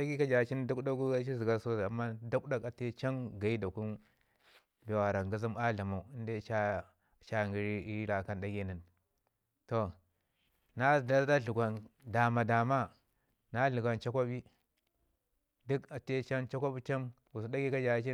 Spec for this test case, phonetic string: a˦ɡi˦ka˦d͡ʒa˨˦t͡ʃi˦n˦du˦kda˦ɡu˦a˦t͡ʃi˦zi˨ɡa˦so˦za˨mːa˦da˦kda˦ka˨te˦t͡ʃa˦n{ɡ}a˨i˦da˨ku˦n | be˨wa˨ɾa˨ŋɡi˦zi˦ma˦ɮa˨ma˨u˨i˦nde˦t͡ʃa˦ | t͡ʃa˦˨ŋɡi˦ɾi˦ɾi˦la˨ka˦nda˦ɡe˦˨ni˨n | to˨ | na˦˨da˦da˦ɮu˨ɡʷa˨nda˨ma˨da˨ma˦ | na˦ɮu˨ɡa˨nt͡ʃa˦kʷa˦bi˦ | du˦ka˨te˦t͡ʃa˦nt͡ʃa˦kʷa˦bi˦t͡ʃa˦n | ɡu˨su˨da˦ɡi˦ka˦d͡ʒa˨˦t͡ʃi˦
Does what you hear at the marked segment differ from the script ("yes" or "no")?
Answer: no